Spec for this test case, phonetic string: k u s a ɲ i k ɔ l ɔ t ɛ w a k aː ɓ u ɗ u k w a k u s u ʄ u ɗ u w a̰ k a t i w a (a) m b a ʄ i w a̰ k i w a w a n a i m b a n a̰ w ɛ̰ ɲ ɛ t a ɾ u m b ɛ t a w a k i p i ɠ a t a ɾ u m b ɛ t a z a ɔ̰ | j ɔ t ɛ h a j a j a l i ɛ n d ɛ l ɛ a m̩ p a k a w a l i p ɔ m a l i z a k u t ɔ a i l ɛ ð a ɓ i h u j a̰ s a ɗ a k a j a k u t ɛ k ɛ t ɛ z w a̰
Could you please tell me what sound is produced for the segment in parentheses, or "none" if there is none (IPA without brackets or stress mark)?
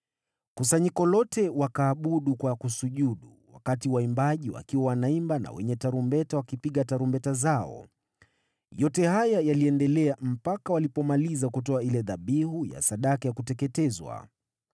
i